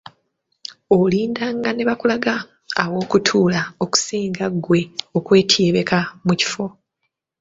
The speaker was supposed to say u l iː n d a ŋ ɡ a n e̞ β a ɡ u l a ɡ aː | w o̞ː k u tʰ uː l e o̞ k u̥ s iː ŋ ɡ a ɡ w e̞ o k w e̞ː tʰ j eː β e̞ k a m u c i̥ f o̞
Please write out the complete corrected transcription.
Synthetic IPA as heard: o l iː n d a ŋ ɡ a n e̞ β a k u l a ɡ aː | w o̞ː k u tʰ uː l a o̞ k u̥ s iː ŋ ɡ a ɡ w e̞ o k w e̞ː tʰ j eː β e̞ k a m u c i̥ f o̞